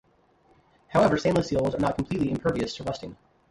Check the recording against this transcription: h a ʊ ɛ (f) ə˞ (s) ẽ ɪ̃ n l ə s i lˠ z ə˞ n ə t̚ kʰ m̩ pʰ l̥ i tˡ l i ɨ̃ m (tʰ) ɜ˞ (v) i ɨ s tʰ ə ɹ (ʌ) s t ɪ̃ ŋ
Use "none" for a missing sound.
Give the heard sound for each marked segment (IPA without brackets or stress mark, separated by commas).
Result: v, s, pʰ, v, ʌ